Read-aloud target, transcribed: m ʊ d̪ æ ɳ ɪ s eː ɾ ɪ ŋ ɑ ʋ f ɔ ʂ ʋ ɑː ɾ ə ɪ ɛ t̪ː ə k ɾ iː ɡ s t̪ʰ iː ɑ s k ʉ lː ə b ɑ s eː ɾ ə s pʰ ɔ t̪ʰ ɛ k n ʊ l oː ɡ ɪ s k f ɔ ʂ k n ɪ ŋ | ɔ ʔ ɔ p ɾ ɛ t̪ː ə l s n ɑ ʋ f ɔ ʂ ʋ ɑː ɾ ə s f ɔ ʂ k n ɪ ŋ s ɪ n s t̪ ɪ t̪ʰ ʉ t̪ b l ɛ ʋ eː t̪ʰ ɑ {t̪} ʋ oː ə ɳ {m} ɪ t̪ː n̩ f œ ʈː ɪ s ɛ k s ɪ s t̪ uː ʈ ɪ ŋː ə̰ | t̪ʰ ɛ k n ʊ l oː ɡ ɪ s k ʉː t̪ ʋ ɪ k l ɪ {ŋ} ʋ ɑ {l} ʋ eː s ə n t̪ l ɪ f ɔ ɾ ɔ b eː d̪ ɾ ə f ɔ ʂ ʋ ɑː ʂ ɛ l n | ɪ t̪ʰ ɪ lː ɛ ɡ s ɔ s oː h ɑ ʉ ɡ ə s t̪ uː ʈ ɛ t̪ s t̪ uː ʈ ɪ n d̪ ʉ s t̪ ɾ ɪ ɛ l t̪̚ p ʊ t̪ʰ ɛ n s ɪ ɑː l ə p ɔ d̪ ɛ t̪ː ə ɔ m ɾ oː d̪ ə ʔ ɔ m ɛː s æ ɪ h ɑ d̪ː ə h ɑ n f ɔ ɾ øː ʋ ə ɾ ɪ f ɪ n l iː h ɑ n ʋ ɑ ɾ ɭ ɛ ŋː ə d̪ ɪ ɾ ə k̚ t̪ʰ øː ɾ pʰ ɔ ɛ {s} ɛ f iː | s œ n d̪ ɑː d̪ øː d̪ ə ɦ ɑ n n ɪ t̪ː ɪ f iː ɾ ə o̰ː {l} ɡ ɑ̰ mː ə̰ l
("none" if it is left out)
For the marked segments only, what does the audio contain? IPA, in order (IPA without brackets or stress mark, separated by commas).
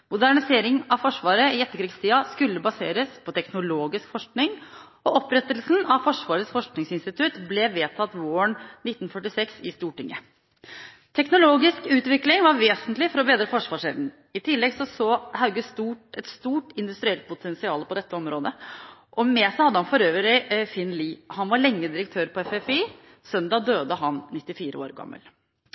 t̪, n, ŋ, ɾ, f, ɾ